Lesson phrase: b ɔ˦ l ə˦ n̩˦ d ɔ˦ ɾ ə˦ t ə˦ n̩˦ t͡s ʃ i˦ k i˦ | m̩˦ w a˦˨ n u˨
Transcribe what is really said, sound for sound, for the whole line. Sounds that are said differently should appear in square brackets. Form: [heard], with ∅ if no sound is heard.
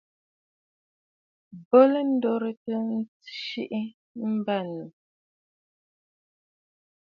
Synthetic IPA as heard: b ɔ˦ l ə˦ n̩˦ d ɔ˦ ɾ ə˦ t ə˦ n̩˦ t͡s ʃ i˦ [ʔ] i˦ | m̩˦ [b] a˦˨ n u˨